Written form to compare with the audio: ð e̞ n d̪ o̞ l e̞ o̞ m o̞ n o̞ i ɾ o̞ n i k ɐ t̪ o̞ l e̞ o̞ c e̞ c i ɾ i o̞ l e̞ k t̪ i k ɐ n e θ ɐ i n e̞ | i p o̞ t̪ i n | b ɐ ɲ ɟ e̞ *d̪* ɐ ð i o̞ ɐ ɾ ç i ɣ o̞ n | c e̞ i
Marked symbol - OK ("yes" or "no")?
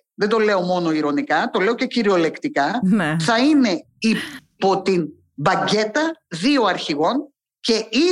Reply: no